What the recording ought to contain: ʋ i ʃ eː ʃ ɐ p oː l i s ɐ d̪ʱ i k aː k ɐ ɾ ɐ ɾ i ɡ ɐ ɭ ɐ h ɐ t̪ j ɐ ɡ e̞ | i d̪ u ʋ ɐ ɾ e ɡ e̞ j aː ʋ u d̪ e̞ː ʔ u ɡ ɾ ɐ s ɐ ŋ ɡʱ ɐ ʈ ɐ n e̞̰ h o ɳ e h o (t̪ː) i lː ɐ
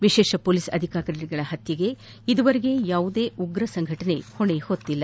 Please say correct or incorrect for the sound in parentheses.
correct